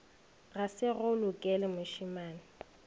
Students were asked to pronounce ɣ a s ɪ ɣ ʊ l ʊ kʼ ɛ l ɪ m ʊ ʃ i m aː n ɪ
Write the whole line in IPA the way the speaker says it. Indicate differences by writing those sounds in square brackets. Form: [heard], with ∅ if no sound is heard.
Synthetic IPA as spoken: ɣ a s ɪ ɣ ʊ l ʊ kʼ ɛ l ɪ m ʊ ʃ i m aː n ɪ